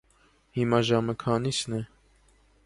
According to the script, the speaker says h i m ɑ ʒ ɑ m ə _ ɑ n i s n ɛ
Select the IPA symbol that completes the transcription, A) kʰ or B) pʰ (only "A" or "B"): A